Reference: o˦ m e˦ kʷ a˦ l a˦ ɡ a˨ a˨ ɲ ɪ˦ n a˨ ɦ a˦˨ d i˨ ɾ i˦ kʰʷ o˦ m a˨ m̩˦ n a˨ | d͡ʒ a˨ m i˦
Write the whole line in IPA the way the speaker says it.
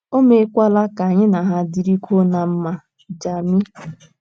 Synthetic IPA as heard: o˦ m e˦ kʷ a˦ l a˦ k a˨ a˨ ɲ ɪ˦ n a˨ ɦ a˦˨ d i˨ ɾ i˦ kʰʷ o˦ n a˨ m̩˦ m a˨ | d͡ʒ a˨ m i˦